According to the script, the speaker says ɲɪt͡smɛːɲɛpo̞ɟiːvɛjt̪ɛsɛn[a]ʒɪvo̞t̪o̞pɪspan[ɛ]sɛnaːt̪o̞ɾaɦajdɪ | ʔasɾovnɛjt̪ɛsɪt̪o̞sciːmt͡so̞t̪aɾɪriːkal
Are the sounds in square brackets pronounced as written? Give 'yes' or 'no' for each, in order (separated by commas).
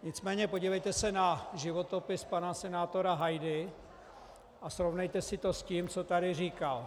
yes, no